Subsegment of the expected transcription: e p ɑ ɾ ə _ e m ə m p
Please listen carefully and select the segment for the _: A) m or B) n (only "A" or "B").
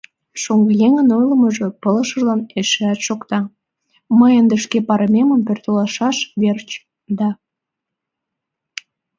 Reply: A